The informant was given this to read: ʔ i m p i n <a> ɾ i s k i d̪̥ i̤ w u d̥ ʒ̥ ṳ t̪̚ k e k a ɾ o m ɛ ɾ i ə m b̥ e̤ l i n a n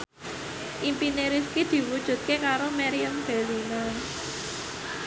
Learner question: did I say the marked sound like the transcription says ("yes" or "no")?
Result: no